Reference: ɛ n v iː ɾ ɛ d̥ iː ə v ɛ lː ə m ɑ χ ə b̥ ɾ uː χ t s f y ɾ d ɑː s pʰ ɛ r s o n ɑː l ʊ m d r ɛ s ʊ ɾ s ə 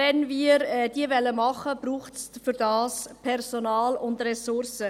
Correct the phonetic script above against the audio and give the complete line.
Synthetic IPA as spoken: ɛ n v iː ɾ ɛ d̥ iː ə v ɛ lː ə m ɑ χ ə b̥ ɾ uː χ t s f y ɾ d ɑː s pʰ ɛ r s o n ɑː l ʊ n d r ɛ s ʊ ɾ s ə